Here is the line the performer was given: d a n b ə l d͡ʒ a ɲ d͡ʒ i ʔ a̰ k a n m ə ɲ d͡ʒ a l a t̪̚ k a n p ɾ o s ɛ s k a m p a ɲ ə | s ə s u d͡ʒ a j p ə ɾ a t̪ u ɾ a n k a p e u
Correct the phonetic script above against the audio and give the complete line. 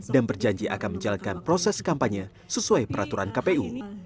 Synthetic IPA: d a n b ə r d͡ʒ a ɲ d͡ʒ i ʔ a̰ k a n m ə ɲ d͡ʒ a l a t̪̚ k a n p ɾ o s ɛ s k a m p a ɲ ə | s ə s u a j p ə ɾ a t̪ u ɾ a n k a p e u